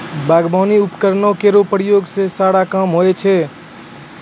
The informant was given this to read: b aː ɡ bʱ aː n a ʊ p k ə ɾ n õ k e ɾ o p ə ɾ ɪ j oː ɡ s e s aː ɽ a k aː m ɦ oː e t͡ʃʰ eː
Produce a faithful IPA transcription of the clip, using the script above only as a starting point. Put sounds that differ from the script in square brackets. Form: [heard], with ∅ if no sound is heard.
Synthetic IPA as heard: b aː ɡ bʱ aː n [i] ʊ p k ə ɾ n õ k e ɾ o p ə ɾ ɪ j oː ɡ s e s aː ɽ a k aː m ɦ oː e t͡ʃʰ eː

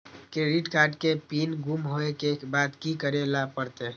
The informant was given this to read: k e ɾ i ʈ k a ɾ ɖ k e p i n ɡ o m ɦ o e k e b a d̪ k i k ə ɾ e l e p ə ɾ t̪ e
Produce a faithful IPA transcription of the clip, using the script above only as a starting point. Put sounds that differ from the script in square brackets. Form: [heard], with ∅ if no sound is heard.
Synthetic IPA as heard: k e ɾ i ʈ k a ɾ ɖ k e p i n ɡ [u] m ɦ o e k e b a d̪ k i k ə ɾ e l [a] p ə ɾ t̪ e

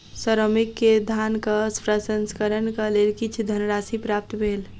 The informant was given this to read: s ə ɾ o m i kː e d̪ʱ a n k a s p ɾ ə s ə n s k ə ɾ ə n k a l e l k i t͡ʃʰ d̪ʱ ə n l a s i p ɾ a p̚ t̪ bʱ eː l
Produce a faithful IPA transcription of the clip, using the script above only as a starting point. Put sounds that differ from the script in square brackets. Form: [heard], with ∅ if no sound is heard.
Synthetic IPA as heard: s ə ɾ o m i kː e d̪ʱ a n k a s p ɾ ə s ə n s k ə ɾ ə n k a l e l k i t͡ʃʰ d̪ʱ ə n [ɾ] a s i p ɾ a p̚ t̪ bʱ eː l

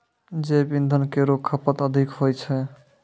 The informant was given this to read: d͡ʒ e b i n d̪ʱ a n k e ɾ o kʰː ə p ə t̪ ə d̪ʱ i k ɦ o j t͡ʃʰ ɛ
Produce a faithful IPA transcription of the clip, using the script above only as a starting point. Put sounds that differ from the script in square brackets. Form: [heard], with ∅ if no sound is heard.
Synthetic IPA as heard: d͡ʒ e b i n d̪ʱ [ə] n k e ɾ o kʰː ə p ə t̪ ə d̪ʱ i k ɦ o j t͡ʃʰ ɛ

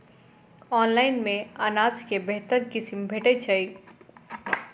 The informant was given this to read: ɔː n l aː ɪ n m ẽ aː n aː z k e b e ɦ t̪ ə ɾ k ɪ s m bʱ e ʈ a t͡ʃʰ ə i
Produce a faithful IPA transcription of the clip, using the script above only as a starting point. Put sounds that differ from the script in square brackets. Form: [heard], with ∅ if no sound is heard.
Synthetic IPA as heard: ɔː n l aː ɪ n m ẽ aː n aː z k e b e ɦ t̪ ə ɾ k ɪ s m bʱ e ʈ [e] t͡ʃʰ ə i

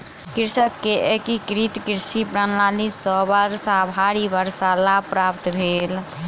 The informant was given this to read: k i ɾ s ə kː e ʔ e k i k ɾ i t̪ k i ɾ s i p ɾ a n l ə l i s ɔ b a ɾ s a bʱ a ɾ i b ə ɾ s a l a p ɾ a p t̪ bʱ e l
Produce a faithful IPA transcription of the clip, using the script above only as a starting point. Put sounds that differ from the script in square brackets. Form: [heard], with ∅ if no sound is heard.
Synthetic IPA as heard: k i ɾ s ə kː e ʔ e k i k ɾ i t̪ k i ɾ s i p ɾ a n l [a] l i s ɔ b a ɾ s a bʱ a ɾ i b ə ɾ s a l a p ɾ a p t̪ bʱ e l

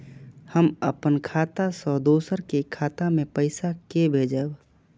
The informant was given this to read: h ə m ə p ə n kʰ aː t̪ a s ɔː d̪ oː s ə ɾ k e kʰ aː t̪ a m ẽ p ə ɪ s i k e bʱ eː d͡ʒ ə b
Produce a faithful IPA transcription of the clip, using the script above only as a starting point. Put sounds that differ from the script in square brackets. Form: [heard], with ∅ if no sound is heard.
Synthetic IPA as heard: h ə m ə p ə n kʰ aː t̪ a s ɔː d̪ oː s ə ɾ k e kʰ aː t̪ a m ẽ p ə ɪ s [a] k e bʱ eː d͡ʒ ə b

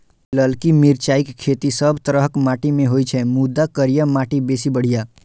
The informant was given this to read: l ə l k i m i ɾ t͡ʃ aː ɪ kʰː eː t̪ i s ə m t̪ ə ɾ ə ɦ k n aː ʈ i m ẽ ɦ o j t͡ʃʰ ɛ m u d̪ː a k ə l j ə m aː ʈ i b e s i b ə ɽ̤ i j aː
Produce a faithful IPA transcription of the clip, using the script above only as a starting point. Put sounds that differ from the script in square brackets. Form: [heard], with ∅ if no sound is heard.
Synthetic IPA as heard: l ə l k i m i ɾ t͡ʃ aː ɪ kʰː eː t̪ i s ə [b] t̪ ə ɾ ə ɦ k [m] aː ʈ i m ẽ ɦ o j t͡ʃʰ ɛ m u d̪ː a k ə [ɾ] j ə m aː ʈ i b e s i b ə ɽ̤ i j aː

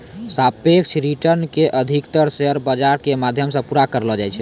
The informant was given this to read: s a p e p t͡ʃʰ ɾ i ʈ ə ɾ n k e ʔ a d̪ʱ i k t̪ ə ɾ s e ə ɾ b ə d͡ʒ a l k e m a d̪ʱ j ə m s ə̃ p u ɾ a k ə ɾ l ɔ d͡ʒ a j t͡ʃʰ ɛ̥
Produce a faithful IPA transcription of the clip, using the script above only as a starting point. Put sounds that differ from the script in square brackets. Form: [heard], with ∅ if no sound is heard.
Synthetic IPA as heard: s a p e [k] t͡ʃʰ ɾ i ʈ ə ɾ n k e ʔ [ə] d̪ʱ i k t̪ ə ɾ s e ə ɾ b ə d͡ʒ a [ɾ] k e m a d̪ʱ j ə m s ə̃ p u ɾ a k ə ɾ l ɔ d͡ʒ a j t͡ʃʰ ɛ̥

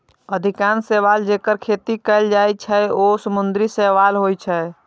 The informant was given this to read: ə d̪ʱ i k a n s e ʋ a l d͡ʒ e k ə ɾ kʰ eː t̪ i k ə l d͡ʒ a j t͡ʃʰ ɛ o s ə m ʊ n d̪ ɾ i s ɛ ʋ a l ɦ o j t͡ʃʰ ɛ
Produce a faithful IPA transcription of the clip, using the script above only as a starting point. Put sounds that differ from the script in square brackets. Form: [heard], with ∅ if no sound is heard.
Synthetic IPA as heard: ə d̪ʱ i k a n s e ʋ a l d͡ʒ e k ə ɾ kʰ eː t̪ i k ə l d͡ʒ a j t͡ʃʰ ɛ o s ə m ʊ n d̪ ɾ i s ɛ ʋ a l ɦ o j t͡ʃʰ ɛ

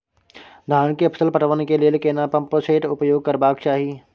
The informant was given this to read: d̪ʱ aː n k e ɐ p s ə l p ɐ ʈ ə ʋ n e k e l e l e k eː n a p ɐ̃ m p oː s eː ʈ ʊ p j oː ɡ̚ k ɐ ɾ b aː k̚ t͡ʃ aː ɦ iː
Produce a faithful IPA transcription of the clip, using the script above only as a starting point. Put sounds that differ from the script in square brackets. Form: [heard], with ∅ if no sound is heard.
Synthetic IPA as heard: d̪ʱ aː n k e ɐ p s ə l p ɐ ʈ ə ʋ n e k e l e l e k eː n a p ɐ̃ m p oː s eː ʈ ʊ p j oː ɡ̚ k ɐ ɾ b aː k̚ t͡ʃ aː ɦ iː

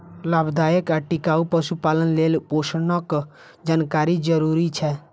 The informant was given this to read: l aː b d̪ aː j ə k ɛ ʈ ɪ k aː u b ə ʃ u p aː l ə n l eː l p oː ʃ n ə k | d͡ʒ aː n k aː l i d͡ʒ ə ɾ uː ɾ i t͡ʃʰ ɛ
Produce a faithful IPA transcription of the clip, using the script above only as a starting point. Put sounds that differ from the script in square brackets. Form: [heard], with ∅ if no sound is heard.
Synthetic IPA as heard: l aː b d̪ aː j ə k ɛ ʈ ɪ k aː u [p] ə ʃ u p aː l ə n l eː l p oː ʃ n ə k | d͡ʒ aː n k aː [ɾ] i d͡ʒ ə ɾ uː ɾ i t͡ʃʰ ɛ

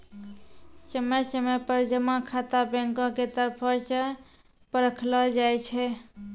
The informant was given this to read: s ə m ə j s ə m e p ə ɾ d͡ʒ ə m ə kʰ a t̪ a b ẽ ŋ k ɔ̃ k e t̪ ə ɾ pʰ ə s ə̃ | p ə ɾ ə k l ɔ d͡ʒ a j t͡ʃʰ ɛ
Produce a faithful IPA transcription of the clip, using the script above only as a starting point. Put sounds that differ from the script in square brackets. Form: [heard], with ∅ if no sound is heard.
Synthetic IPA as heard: s ə m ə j s ə m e p ə ɾ d͡ʒ ə m [a] kʰ a t̪ a b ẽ ŋ k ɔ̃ k e t̪ ə ɾ pʰ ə s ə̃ | p ə ɾ ə [kʰ] l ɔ d͡ʒ a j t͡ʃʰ ɛ

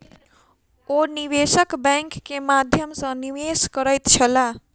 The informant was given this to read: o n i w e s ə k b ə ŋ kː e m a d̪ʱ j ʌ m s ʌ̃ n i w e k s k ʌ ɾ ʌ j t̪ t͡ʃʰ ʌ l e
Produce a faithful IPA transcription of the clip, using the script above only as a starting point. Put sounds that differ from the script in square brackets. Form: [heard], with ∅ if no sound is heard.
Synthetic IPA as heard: o n i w e s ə k b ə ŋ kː e m a d̪ʱ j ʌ m s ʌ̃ n i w e [∅] s k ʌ ɾ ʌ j t̪ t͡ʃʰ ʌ l [a]

